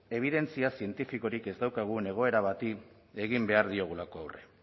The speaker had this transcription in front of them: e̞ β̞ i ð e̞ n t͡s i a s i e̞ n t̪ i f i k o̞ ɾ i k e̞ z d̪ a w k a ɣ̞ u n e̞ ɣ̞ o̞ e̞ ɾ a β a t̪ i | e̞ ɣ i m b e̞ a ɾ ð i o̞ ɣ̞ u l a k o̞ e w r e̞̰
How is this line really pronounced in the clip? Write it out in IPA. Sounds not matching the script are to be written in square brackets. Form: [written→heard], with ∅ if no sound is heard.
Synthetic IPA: e̞ β̞ i ð e̞ n t͡s i a s i e̞ n t̪ i f i k o̞ ɾ i k e̞ z d̪ a w k a ɣ̞ u n e̞ ɣ̞ o̞ e̞ ɾ a β a t̪ i | e̞ ɣ i m b e̞ a ɾ ð i o̞ ɣ̞ u l a k o̞ [e→a] w r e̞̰